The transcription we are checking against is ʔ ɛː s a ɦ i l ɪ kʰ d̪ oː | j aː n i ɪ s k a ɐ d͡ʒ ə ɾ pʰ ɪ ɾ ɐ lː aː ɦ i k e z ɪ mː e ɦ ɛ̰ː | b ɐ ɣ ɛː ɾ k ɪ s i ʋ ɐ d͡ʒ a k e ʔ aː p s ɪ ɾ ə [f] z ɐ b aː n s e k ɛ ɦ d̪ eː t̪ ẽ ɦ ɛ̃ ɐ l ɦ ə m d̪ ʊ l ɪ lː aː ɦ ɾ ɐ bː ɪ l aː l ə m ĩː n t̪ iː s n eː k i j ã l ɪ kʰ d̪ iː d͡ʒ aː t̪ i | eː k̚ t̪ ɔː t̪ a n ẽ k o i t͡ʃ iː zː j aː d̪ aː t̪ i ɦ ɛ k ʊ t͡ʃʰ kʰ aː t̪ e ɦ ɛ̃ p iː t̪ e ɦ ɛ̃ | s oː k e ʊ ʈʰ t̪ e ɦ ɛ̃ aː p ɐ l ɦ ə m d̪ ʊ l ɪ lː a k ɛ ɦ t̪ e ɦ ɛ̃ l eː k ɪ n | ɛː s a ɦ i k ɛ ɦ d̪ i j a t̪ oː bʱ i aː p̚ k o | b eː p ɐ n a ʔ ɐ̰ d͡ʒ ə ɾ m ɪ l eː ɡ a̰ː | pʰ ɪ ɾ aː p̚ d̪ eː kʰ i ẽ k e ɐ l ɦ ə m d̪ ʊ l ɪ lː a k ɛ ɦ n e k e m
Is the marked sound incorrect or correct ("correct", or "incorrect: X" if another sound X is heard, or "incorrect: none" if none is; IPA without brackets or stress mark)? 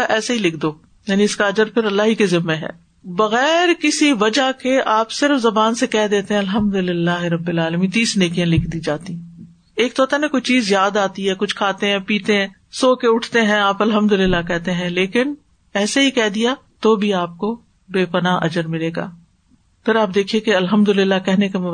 correct